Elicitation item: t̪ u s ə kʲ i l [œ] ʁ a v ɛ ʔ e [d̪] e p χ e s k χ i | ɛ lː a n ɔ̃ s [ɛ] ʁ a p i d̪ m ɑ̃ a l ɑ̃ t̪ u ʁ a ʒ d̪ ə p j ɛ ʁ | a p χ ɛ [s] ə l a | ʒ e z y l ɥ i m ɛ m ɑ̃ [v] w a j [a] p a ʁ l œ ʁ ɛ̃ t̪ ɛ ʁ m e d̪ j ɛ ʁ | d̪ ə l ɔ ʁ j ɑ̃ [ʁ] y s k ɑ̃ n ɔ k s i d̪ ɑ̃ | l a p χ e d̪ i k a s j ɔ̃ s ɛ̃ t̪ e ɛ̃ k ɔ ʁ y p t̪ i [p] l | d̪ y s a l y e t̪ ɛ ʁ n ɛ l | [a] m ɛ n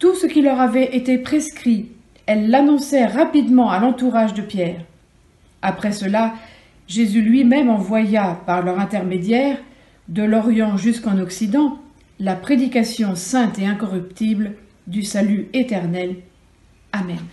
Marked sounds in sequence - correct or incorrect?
correct, incorrect, correct, correct, correct, correct, incorrect, incorrect, correct

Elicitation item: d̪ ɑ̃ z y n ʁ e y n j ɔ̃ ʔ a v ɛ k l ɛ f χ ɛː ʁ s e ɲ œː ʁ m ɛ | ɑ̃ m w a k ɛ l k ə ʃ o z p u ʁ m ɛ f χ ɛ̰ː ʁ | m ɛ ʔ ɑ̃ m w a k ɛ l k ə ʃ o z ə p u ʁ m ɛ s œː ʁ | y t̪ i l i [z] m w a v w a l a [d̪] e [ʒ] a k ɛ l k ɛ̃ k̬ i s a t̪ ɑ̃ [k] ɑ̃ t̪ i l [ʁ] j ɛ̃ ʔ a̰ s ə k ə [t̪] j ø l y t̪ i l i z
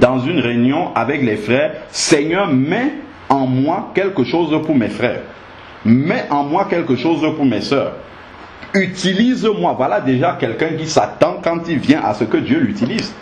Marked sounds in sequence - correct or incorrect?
correct, correct, correct, correct, incorrect, incorrect

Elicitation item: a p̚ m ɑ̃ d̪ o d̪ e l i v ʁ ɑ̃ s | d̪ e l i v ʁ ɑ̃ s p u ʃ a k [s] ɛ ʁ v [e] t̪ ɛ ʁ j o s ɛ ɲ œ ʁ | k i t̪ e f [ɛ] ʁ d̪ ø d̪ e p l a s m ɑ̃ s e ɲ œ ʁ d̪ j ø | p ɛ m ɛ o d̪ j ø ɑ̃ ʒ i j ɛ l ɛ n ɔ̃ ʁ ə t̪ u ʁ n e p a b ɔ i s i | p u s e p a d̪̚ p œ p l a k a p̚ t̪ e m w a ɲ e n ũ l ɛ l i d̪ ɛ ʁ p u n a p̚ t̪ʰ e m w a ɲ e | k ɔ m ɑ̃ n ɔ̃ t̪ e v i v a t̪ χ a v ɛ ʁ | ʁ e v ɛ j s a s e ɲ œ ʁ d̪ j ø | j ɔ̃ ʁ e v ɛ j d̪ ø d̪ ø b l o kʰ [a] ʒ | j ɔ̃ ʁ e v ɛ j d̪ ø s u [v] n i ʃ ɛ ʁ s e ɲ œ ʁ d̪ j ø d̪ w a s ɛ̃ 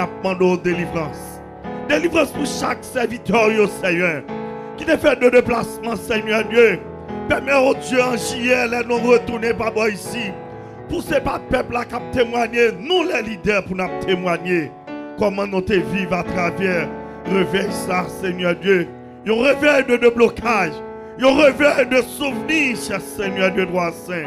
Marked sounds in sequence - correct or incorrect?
correct, incorrect, correct, correct, correct

